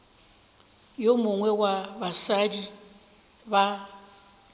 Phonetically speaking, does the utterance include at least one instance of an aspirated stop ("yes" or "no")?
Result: no